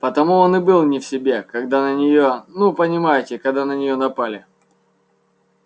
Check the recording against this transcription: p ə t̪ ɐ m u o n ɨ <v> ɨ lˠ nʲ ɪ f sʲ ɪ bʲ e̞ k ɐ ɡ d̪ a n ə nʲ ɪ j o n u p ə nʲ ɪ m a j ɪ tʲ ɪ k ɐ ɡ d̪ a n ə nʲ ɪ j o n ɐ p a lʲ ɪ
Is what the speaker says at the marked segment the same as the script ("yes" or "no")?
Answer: no